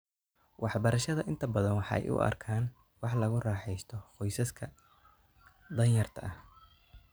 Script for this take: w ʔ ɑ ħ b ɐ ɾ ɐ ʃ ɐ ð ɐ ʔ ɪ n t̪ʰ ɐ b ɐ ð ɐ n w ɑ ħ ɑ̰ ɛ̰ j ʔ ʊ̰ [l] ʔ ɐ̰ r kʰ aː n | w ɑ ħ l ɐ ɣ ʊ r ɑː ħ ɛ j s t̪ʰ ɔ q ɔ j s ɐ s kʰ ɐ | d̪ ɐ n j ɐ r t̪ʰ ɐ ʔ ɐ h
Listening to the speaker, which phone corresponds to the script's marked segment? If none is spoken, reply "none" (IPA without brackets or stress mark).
none